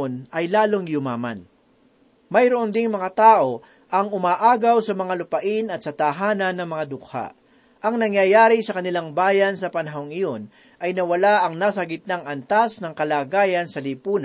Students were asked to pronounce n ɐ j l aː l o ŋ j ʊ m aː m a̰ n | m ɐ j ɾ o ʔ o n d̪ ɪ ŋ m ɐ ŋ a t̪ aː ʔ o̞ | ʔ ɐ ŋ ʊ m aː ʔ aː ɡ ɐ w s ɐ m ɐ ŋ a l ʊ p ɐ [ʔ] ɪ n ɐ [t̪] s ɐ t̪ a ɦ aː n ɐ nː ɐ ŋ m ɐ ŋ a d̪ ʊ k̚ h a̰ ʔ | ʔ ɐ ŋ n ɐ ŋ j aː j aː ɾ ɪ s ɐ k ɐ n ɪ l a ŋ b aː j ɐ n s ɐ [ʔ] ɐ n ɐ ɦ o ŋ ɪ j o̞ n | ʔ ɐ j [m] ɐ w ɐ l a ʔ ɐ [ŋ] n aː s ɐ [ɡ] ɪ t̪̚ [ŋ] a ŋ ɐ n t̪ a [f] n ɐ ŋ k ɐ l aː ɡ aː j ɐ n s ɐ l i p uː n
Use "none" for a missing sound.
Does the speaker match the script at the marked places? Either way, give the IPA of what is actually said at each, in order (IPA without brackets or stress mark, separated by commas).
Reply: ʔ, t̪, p, n, ŋ, ɡ, n, s